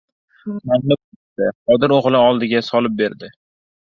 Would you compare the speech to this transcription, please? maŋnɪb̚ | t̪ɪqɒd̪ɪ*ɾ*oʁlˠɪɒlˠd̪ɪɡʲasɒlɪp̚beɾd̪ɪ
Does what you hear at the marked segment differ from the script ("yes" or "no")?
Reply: no